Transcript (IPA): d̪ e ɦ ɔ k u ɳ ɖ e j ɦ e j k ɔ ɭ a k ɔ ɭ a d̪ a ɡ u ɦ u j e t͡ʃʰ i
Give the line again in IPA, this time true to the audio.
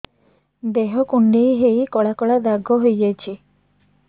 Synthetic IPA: d̪ e ɦ ɔ k u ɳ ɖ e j ɦ e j k ɔ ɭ a k ɔ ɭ a d̪ a ɡ ɔ ɦ o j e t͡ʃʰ i